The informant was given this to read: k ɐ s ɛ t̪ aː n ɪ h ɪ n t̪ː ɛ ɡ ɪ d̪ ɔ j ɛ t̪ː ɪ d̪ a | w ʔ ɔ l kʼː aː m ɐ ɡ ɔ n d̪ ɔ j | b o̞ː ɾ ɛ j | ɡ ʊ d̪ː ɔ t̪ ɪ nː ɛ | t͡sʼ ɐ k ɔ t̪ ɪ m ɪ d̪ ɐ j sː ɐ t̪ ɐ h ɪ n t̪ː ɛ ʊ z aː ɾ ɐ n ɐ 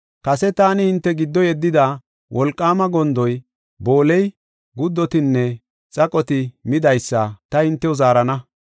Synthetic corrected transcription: k ɐ s ɛ t̪ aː n ɪ h ɪ n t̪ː ɛ ɡ ɪ d̪ː ɔ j ɛ d̪ː ɪ d̪ a | w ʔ ɔ l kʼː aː m ɐ ɡ ɔ n d̪ ɔ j | b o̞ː l ɛ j | ɡ ʊ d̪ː ɔ t̪ ɪ nː ɛ | t͡sʼ ɐ kʼ ɔ t̪ ɪ m ɪ d̪ ɐ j sː ɐ t̪ ɐ h ɪ n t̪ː ɛ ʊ z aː ɾ ɐ n ɐ